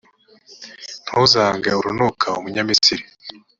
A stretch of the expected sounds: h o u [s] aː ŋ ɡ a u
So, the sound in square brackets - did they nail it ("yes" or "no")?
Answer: no